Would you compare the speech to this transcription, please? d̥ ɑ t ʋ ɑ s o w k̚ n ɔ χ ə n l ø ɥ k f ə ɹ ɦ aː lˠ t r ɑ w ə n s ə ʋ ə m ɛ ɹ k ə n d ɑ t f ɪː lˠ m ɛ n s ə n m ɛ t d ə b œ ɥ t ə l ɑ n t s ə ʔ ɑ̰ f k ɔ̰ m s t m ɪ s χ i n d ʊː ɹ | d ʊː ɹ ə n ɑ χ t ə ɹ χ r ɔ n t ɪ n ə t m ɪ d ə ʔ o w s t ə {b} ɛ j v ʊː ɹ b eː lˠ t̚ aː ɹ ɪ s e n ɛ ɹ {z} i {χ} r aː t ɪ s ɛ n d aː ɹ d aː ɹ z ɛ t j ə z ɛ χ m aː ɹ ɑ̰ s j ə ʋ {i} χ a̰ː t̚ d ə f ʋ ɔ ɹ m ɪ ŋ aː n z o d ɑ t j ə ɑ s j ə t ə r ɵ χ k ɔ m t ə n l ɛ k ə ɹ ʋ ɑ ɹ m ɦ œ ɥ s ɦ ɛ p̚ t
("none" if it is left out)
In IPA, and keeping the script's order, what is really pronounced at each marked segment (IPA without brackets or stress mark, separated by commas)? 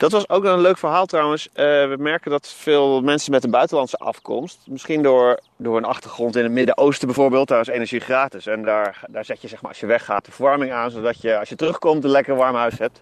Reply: b, ʒ, χ, ɛ